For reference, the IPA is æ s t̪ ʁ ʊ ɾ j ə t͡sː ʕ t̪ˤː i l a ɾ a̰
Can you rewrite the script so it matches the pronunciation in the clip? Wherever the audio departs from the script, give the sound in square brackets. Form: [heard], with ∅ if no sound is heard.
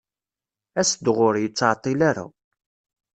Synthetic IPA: æ s [d̪] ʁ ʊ ɾ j ə t͡sː ʕ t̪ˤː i l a ɾ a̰